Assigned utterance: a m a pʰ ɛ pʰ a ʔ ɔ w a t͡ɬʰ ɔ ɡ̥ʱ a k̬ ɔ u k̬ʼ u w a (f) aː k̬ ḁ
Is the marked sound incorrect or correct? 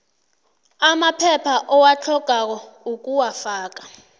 correct